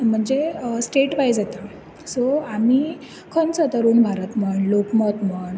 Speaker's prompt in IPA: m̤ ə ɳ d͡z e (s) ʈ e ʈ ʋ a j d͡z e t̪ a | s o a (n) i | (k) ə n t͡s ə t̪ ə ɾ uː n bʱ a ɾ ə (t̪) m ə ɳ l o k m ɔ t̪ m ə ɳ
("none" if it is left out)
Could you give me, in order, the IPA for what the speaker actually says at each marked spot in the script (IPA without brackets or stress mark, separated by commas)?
s, m, kʰ, t̪